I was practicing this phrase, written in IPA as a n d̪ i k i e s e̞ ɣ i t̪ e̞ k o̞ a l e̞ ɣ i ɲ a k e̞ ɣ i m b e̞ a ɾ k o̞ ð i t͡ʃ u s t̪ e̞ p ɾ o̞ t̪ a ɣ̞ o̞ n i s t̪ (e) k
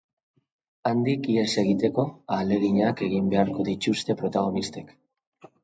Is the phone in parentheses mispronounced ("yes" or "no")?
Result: no